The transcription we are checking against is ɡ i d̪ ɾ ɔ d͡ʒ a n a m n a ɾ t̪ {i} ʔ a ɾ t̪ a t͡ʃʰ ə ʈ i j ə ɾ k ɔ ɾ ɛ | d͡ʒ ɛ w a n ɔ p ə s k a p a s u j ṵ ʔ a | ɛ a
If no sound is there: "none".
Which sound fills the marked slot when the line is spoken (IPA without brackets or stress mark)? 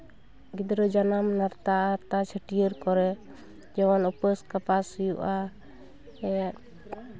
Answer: a